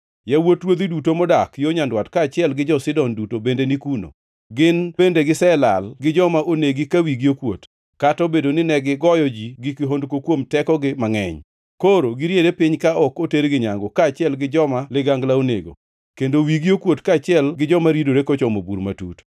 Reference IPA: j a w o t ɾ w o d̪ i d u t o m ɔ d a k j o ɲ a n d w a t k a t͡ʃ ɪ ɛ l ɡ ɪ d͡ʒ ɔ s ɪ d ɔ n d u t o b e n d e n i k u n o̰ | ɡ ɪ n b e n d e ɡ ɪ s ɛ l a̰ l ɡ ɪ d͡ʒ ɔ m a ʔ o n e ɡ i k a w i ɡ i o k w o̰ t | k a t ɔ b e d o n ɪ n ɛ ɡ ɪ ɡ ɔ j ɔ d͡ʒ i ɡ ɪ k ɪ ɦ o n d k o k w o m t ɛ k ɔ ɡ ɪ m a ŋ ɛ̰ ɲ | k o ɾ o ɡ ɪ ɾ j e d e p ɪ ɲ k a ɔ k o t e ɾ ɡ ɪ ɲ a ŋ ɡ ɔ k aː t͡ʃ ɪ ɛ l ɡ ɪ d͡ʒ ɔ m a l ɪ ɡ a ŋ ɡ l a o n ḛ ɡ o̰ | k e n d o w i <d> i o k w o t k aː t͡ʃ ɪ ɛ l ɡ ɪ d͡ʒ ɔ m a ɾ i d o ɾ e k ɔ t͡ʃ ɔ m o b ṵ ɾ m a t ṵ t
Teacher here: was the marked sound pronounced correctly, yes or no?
no